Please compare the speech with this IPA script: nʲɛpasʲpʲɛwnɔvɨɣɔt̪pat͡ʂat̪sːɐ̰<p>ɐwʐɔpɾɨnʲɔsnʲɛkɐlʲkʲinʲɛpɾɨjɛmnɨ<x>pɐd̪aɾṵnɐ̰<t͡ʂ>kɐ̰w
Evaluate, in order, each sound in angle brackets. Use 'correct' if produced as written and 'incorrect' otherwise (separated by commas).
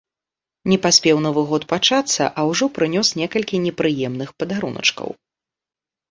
incorrect, correct, correct